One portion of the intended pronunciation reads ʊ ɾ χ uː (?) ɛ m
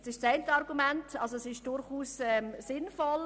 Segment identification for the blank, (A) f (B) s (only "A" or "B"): B